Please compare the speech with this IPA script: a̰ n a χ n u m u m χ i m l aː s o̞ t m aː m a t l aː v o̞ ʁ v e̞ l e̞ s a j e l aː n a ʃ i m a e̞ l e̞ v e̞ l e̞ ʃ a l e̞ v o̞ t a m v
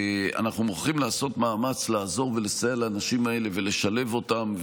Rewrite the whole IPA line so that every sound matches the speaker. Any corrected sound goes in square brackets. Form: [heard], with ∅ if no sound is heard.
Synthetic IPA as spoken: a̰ n a χ n u m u [∅] χ i m l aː s o̞ t m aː m a [t͡s] l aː [z] o̞ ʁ v e̞ l e̞ s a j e l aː n a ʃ i m a e̞ l e̞ v e̞ l e̞ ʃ a l e̞ v o̞ t a m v